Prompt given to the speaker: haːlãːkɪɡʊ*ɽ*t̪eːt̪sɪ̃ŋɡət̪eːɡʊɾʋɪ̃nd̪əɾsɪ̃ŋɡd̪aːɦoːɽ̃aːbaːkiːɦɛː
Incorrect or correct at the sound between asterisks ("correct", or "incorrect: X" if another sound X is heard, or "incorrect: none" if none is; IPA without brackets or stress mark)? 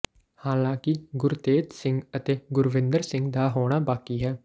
incorrect: ɾ